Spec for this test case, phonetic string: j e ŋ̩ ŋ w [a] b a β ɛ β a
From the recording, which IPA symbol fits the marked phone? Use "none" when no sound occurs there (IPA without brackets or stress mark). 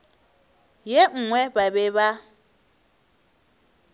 ɛ